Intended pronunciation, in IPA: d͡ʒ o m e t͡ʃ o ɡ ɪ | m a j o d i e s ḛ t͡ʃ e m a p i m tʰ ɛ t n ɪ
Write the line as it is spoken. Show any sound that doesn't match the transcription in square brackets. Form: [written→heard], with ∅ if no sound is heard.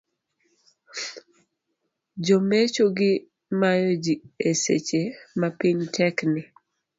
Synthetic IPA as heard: d͡ʒ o m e t͡ʃ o ɡ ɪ | m a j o [d→d͡ʒ] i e s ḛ t͡ʃ e m a p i [m→ɲ] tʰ ɛ [t→k] n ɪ